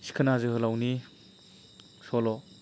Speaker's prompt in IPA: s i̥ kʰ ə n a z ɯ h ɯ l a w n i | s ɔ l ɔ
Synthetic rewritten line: s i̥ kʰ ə n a z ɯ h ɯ l a w n i | s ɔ l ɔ